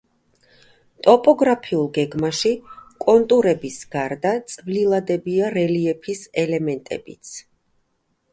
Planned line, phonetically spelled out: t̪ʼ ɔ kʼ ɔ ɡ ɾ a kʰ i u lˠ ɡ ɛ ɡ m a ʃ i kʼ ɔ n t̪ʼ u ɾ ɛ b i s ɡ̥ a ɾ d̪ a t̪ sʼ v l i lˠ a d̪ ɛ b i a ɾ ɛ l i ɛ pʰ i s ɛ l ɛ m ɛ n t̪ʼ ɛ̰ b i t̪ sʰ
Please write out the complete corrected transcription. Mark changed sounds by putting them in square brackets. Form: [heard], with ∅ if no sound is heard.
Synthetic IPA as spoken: t̪ʼ ɔ [pʼ] ɔ ɡ ɾ a [pʰ] i u lˠ ɡ ɛ ɡ m a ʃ i kʼ ɔ n t̪ʼ u ɾ ɛ b i s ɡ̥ a ɾ d̪ a t̪ sʼ v l i lˠ a d̪ ɛ b i a ɾ ɛ l i ɛ pʰ i s ɛ l ɛ m ɛ n t̪ʼ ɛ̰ b i t̪ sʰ